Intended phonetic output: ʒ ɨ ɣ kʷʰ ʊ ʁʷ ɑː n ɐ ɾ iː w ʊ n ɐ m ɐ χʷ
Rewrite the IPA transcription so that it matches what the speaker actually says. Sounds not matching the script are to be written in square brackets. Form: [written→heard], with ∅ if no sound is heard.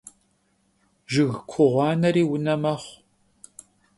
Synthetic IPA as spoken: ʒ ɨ ɣ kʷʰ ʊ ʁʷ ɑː n ɐ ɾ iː w ʊ n ɐ m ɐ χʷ